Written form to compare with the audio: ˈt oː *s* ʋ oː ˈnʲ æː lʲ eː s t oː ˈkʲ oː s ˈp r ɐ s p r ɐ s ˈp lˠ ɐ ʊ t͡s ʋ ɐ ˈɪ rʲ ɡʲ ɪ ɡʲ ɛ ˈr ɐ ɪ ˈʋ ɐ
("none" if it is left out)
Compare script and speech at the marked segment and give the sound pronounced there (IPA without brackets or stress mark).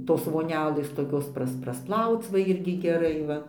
s